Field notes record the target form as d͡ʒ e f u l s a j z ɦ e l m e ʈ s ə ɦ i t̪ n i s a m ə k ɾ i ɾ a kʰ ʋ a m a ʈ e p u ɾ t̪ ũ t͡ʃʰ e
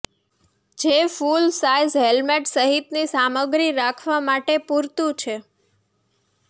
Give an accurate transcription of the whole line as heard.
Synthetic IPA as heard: d͡ʒ e f u l s a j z ɦ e l m e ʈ s ə ɦ i t̪ n i s a m ə ɡ ɾ i ɾ a kʰ ʋ a m a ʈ e p u ɾ t̪ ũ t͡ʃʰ e